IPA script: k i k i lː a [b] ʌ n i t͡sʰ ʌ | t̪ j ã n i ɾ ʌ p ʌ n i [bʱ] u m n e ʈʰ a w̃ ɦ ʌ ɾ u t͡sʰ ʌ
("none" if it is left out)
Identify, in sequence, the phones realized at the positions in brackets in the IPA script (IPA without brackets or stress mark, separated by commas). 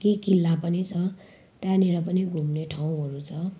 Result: p, ɡʱ